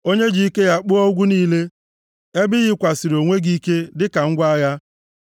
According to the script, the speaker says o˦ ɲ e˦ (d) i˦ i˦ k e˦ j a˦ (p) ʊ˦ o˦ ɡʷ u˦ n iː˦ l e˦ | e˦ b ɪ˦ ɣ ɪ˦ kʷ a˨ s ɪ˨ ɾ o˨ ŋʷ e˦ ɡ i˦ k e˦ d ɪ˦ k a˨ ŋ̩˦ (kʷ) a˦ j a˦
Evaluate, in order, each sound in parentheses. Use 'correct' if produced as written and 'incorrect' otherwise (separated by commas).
incorrect, incorrect, incorrect